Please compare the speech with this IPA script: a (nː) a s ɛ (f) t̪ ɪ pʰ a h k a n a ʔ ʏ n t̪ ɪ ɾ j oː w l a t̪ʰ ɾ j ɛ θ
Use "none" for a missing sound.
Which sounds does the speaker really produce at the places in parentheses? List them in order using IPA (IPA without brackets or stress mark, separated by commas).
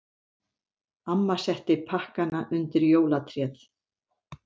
mː, h